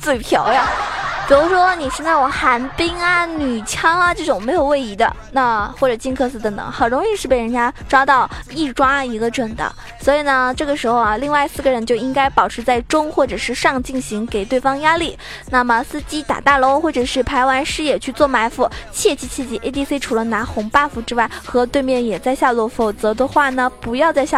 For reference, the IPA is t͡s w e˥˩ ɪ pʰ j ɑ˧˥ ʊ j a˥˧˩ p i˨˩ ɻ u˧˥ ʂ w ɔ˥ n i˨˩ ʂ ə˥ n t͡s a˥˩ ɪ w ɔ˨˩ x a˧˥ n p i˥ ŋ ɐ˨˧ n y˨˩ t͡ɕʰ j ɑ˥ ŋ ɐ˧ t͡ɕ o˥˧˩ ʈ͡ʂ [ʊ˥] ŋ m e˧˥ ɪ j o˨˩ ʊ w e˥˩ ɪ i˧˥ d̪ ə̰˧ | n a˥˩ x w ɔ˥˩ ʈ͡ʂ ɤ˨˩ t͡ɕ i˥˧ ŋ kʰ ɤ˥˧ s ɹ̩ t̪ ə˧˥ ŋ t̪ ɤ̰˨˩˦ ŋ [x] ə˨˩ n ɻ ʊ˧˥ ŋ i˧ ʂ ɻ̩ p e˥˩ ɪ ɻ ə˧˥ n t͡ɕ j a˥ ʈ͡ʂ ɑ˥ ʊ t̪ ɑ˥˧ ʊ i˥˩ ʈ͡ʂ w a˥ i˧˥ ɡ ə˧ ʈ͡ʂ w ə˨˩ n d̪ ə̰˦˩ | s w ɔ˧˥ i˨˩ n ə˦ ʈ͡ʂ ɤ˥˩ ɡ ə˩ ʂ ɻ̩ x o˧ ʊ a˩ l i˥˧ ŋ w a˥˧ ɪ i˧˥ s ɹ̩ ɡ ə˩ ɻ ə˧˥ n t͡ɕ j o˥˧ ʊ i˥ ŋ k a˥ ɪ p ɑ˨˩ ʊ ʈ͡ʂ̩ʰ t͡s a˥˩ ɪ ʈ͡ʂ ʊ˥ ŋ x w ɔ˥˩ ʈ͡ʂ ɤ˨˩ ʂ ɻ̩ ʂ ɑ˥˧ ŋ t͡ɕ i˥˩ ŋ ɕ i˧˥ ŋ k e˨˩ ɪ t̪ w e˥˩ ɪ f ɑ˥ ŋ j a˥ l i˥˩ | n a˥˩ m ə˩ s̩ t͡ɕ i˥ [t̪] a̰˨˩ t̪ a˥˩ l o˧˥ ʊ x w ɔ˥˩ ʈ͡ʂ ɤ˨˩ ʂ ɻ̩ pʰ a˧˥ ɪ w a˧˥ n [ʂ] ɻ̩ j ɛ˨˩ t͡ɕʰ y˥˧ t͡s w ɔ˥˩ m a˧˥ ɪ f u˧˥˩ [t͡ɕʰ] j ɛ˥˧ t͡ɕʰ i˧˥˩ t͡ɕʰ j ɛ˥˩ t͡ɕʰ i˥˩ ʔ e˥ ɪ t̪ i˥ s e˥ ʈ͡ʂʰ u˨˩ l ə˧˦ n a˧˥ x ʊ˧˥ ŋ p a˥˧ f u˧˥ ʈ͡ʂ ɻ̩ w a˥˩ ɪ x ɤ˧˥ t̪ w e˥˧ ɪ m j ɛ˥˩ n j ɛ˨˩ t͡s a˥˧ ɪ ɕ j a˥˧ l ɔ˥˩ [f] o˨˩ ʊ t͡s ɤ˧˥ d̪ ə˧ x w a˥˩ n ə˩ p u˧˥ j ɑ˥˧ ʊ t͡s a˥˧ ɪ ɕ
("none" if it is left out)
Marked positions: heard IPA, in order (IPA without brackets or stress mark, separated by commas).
ʊ˨˩, x, t̪, ʂ, t͡ɕʰ, f